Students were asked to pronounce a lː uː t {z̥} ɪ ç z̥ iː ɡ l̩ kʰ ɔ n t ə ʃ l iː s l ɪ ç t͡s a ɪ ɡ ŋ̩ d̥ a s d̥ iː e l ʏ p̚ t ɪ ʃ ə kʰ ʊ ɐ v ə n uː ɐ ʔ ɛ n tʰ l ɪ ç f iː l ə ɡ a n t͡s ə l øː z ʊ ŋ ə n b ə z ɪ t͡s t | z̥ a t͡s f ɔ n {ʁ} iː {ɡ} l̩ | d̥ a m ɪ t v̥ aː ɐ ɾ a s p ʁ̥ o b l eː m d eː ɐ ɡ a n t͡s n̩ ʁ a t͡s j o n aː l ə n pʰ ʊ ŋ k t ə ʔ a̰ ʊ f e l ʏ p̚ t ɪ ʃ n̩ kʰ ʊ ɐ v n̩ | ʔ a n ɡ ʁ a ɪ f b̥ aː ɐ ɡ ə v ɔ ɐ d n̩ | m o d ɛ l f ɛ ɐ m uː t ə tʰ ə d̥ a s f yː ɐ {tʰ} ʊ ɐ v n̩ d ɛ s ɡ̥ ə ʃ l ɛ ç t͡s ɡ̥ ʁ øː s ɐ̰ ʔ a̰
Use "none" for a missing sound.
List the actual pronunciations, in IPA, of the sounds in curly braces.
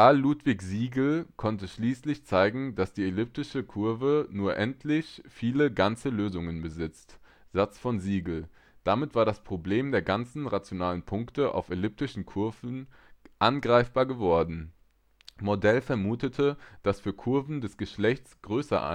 v̥, z, ɡ, kʰ

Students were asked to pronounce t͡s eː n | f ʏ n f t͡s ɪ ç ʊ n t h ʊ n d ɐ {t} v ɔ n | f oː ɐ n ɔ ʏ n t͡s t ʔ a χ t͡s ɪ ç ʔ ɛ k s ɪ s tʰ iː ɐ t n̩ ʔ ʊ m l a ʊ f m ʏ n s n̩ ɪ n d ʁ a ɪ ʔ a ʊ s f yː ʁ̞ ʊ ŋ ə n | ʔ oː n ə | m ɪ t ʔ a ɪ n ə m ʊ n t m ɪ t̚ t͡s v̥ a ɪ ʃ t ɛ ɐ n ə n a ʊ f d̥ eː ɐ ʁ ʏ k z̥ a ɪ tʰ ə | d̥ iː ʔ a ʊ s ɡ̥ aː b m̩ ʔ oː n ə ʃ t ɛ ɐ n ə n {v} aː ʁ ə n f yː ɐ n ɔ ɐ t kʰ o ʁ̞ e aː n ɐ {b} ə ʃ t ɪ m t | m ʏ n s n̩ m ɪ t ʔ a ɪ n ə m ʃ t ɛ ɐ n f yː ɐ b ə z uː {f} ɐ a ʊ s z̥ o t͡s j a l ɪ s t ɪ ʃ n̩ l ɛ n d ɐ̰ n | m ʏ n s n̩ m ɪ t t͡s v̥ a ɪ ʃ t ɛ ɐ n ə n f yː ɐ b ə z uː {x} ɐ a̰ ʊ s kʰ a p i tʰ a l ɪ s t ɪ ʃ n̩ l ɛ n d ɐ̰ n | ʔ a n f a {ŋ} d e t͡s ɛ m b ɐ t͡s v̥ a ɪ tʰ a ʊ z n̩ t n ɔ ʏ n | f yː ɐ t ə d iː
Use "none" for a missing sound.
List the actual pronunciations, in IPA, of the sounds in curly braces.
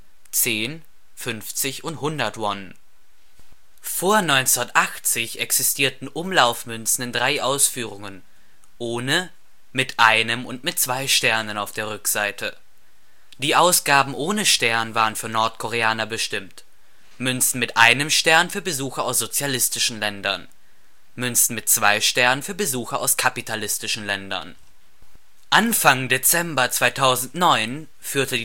t, v, b, x, x, ŋ

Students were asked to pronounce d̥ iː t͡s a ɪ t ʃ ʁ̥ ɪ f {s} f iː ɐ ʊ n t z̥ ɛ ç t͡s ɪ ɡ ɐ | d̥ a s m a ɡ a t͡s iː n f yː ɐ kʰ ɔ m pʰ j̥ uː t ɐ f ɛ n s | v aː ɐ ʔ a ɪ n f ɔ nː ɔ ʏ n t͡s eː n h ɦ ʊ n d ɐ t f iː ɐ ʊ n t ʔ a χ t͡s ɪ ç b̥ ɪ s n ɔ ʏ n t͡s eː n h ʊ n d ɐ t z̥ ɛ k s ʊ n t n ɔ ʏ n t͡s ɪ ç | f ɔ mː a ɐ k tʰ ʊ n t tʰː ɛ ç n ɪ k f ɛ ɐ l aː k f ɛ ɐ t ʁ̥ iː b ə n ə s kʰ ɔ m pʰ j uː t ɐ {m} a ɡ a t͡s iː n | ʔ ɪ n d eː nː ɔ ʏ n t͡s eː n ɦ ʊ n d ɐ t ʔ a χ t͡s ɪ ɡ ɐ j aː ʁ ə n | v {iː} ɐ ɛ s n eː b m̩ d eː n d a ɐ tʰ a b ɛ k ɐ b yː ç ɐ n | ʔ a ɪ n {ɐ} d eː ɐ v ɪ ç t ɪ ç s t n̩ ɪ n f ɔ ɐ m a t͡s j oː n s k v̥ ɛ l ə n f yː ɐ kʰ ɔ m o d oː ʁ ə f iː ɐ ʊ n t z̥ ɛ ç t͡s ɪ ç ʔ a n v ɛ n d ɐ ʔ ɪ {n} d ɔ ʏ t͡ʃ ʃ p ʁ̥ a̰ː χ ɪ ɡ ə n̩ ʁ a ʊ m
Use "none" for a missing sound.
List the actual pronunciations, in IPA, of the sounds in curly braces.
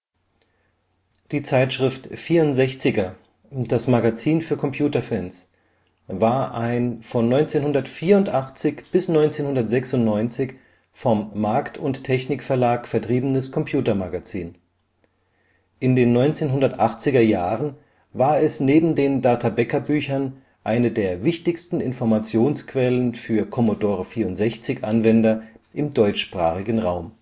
t, m, aː, ə, m

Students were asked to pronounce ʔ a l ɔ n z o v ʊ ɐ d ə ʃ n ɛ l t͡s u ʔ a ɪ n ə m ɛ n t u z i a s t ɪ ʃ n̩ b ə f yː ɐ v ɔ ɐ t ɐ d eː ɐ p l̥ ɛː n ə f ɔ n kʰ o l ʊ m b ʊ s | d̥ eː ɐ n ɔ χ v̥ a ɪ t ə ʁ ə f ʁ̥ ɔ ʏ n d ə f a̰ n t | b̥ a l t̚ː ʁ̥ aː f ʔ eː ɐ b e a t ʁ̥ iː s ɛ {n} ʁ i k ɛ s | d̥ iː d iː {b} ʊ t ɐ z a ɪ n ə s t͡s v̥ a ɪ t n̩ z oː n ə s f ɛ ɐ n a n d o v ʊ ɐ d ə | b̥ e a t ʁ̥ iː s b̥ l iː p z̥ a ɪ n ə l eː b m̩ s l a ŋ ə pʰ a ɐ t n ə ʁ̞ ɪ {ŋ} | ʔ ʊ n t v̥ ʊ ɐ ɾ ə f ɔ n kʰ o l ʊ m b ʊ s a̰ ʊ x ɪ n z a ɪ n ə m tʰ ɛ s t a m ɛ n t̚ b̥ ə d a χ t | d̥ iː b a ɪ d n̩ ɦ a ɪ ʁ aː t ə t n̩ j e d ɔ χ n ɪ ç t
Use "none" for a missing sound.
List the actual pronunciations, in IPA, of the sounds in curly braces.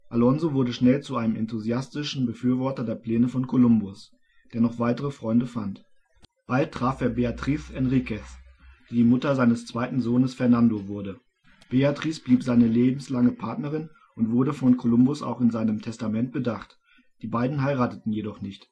n, m, n

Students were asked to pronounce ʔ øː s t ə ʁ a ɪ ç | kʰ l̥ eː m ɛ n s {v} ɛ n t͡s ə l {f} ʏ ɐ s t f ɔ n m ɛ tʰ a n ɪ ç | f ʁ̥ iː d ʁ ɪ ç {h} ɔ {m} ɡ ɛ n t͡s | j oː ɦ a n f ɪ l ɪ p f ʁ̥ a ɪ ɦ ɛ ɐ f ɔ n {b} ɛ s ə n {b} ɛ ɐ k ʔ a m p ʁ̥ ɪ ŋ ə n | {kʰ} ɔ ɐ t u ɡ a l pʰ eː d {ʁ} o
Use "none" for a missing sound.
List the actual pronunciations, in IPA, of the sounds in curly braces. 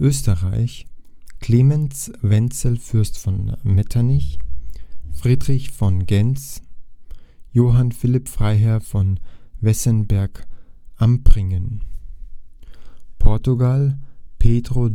v, f, f, n, v, b, pʰ, ʁ

